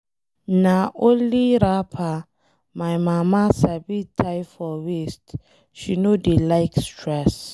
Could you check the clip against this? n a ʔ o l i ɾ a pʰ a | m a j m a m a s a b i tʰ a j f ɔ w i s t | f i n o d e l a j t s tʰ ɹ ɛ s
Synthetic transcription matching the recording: n a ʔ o l i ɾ a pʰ a | m a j m a m a s a b i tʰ a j f ɔ w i s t | ʃ i n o d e l a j k s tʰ ɹ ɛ s